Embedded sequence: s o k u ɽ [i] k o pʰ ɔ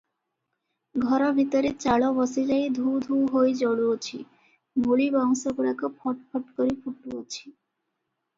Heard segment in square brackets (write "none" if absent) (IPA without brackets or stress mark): a